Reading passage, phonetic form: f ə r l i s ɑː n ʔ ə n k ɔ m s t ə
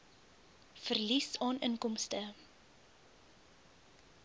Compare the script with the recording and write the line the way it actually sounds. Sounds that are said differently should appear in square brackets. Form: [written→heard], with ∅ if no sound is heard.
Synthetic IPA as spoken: f ə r l i s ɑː n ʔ ə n k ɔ m s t ə